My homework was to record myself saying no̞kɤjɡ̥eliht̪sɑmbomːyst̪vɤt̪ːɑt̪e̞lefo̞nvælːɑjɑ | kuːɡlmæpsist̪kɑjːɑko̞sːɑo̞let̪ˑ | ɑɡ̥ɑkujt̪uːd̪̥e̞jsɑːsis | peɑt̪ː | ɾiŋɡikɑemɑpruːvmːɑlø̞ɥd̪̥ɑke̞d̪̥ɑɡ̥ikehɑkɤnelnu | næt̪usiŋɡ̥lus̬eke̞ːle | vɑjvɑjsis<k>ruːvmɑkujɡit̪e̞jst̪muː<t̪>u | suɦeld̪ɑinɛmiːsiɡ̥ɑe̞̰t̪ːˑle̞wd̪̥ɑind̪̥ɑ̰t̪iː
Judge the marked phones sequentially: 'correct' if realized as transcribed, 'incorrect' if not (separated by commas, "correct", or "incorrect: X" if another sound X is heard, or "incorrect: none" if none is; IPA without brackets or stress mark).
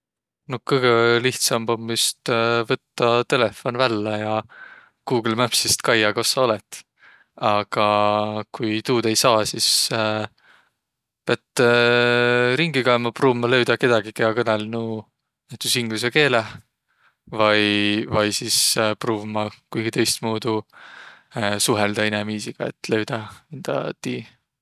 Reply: incorrect: p, incorrect: d̪